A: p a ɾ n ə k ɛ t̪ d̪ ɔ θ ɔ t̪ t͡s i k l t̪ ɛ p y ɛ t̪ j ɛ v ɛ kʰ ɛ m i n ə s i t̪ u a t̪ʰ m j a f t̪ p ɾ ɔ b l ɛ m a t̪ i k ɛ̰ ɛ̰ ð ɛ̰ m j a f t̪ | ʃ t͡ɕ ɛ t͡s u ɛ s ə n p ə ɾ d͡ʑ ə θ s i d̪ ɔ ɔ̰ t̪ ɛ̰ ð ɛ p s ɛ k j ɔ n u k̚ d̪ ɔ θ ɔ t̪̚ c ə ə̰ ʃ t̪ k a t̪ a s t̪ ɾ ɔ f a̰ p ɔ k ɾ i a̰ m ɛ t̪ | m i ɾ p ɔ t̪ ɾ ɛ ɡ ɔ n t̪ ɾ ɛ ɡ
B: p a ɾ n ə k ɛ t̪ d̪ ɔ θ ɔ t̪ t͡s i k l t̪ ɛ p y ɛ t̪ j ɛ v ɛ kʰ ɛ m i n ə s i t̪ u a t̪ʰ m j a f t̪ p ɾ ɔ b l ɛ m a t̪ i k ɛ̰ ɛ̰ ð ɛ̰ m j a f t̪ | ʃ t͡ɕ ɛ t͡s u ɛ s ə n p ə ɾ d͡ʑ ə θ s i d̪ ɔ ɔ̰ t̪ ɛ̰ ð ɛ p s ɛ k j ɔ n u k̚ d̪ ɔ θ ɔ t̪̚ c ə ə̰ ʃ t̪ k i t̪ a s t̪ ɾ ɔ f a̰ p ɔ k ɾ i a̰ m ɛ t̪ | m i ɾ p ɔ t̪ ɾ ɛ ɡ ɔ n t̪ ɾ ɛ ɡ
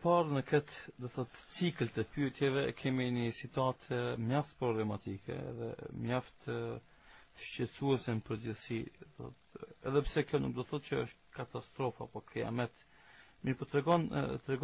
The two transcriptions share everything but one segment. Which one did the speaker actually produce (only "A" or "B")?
A